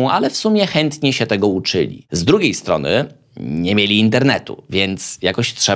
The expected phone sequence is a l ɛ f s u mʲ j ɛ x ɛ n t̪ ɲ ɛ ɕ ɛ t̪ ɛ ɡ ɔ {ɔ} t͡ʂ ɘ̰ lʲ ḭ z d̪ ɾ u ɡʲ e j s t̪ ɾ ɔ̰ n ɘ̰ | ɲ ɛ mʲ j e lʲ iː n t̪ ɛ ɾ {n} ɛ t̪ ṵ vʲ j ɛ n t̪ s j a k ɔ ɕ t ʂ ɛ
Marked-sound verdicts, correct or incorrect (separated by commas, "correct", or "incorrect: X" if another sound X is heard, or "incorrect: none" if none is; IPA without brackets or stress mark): incorrect: u, correct